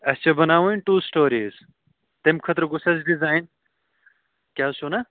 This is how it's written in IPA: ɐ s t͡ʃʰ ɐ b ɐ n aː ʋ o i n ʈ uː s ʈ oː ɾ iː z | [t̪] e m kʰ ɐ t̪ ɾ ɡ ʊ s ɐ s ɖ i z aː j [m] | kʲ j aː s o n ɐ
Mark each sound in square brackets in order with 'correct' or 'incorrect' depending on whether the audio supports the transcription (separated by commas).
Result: correct, incorrect